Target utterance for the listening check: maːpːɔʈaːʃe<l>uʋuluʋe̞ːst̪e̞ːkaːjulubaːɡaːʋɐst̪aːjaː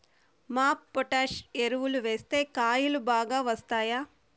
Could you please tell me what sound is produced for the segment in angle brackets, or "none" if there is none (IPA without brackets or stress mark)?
ɾ